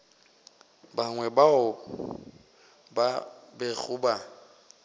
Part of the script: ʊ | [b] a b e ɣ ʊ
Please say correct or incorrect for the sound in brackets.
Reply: correct